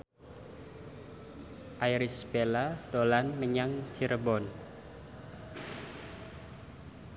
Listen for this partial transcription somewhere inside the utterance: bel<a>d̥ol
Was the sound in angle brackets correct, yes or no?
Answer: yes